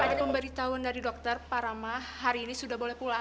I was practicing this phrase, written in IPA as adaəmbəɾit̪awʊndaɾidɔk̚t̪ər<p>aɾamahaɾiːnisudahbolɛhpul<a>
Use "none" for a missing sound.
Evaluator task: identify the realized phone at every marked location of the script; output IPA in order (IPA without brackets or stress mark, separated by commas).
p, a